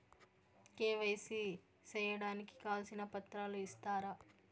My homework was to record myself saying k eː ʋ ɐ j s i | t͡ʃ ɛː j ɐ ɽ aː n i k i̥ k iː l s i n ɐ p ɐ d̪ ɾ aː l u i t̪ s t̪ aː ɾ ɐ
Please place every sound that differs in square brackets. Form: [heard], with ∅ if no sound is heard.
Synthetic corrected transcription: k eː ʋ ɐ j s i | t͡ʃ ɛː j ɐ ɽ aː n i k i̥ k [aː] l s i n ɐ p ɐ [t̪] ɾ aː l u i [∅] s t̪ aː ɾ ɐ